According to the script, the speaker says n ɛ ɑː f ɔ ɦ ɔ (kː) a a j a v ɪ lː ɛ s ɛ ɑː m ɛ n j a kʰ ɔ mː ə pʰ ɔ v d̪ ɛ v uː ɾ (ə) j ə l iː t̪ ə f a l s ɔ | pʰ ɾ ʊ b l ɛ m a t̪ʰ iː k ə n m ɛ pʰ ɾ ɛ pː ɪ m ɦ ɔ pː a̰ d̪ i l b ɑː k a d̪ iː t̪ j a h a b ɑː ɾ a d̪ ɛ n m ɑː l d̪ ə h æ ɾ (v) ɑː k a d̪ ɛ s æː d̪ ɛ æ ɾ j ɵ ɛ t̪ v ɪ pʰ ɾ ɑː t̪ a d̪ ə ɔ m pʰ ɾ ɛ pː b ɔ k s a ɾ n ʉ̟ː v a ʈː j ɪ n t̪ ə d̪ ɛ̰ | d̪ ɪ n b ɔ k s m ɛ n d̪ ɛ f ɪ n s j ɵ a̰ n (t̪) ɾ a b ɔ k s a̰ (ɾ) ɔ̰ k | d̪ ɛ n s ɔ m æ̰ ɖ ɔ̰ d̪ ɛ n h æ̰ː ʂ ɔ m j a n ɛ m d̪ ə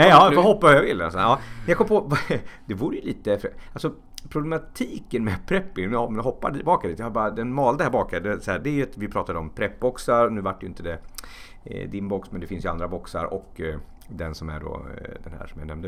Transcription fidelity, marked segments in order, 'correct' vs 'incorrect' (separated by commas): incorrect, correct, incorrect, incorrect, correct